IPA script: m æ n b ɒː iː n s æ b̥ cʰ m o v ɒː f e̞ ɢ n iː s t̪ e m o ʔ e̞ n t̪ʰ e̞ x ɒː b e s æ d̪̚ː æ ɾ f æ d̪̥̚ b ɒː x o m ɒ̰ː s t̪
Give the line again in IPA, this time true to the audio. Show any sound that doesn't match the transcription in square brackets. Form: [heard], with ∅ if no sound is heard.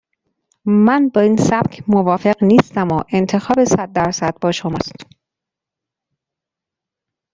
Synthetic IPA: m æ n b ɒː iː n s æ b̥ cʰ m o v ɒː f e̞ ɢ n iː s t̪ [æ] m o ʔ e̞ n t̪ʰ e̞ x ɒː b e s æ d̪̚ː æ ɾ [s] æ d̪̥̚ b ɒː [ʃ] o m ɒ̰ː s t̪